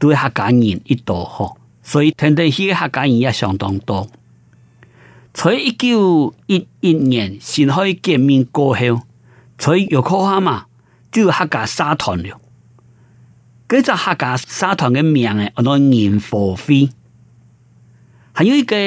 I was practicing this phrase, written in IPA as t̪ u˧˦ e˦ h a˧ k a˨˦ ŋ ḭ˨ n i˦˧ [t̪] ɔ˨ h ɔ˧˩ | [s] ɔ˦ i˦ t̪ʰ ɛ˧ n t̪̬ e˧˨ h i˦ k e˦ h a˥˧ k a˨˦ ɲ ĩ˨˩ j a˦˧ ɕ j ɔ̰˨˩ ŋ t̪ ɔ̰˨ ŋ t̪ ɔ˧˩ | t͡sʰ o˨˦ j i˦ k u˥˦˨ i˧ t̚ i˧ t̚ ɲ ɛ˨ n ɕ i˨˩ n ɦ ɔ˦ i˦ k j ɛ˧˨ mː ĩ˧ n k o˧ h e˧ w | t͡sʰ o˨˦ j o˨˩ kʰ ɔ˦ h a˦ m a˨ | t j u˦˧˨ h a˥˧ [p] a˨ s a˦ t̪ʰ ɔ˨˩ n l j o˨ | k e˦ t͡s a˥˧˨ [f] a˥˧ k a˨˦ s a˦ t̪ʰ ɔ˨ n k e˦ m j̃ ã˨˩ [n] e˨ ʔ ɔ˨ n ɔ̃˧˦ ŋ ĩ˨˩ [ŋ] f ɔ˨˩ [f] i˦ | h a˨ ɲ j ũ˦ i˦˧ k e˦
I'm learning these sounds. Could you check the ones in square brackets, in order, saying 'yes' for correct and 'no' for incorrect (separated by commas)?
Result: yes, yes, no, no, no, no, yes